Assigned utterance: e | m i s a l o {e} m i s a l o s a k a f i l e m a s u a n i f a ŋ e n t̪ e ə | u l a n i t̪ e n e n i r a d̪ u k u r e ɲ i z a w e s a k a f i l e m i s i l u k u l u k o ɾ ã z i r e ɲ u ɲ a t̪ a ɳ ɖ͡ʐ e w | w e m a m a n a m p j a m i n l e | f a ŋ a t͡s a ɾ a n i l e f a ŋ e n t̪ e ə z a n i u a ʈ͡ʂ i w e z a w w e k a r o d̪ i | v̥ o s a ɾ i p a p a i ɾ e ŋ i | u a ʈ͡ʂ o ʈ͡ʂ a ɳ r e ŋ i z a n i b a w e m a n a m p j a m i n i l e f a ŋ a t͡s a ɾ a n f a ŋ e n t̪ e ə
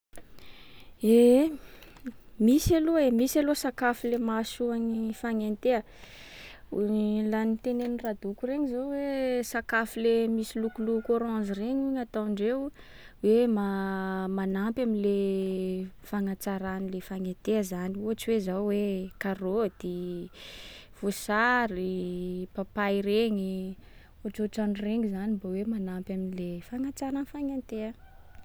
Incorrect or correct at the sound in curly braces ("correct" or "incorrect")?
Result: correct